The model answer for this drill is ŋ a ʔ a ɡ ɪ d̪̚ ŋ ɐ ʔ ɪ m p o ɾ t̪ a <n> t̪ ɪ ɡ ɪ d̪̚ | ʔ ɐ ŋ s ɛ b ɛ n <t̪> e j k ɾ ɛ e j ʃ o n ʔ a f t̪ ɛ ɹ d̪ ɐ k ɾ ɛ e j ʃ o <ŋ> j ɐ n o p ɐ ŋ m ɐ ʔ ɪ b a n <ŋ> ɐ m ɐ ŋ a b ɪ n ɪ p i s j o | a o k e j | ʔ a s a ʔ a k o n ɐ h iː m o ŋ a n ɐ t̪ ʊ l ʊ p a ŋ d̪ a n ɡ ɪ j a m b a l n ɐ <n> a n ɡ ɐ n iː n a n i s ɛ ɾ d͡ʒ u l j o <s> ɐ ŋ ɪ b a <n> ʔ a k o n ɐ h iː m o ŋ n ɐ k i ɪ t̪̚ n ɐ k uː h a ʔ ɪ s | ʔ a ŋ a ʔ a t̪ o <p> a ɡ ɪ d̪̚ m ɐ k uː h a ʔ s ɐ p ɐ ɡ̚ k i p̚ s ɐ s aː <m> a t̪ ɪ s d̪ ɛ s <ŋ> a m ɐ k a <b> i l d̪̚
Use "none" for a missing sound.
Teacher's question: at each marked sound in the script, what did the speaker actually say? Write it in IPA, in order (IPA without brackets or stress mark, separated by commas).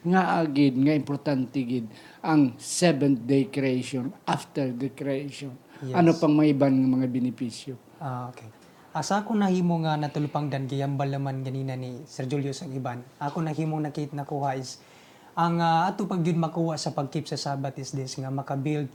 n, d̪, n, ŋ, m, s, n, p, b, ŋ, b